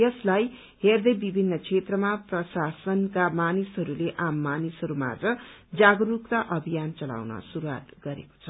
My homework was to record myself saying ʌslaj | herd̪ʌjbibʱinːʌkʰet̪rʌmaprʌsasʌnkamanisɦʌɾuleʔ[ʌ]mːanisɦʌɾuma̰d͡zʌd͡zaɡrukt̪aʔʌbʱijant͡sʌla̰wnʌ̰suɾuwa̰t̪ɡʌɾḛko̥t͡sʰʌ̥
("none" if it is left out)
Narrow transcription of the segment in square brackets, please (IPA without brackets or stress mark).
a